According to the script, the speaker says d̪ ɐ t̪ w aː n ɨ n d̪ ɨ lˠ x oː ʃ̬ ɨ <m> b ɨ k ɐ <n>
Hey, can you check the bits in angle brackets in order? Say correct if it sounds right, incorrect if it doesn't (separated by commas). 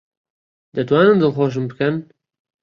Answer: correct, correct